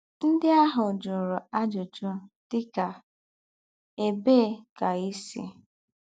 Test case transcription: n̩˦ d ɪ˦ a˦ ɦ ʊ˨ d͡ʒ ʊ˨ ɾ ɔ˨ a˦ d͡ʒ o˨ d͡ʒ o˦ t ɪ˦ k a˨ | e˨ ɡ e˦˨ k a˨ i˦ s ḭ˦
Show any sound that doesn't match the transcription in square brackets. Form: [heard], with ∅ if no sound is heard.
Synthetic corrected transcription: n̩˦ d ɪ˦ a˦ ɦ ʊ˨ d͡ʒ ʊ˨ ɾ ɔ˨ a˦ d͡ʒ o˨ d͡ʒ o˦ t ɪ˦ k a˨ | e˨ [b] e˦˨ k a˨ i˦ s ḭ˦